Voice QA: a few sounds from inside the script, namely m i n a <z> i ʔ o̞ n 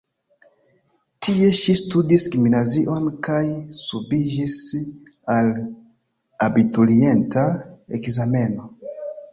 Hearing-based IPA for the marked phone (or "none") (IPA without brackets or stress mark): z